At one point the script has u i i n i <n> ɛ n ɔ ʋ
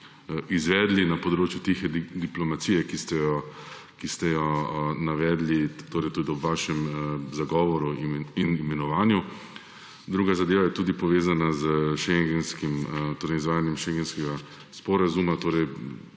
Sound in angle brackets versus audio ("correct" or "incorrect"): incorrect